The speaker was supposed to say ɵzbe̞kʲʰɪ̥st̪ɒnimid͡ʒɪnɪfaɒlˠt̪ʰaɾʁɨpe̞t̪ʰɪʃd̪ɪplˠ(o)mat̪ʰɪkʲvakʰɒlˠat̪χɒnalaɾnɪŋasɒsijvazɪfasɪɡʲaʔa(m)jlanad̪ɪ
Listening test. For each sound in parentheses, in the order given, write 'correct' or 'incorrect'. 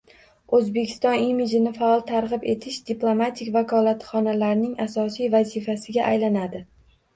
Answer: correct, incorrect

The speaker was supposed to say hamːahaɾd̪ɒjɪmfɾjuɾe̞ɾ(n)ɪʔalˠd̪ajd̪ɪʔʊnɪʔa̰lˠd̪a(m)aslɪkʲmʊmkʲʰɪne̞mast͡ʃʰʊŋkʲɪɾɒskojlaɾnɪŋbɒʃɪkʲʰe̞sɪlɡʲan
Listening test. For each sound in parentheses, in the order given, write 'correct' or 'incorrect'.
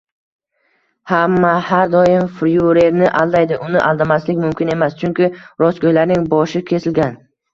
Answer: correct, correct

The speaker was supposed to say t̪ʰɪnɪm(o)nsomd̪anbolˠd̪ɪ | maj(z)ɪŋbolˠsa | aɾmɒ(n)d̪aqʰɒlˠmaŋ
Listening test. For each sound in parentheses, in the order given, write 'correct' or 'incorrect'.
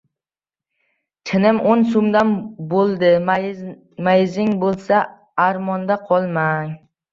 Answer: correct, correct, correct

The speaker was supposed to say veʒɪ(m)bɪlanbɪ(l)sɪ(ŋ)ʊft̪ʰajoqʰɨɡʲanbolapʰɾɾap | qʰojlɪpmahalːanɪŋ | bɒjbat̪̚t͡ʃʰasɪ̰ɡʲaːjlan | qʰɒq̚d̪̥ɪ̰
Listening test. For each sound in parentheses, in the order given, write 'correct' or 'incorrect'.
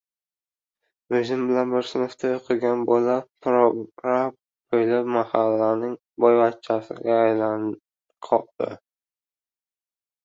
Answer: correct, incorrect, incorrect

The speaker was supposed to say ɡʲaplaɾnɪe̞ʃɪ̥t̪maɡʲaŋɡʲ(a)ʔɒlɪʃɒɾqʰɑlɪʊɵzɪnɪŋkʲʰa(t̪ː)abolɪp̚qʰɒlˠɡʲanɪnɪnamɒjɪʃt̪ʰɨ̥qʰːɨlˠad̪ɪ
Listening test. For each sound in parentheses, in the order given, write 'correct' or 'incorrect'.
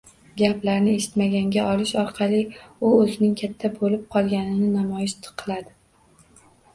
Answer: correct, incorrect

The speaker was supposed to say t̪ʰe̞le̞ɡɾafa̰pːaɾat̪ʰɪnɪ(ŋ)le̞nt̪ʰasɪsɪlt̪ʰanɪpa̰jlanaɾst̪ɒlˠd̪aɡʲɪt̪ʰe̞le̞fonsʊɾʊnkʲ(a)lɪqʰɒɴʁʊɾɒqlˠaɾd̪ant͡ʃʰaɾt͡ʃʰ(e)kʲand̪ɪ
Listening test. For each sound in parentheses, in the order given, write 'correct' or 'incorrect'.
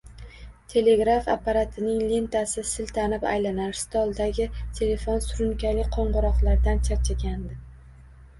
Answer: correct, correct, incorrect

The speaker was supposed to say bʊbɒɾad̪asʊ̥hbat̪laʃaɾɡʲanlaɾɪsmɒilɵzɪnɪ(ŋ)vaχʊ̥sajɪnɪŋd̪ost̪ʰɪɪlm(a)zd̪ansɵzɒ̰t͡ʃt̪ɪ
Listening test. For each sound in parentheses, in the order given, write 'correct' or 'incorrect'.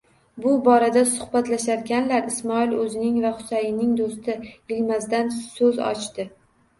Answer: correct, correct

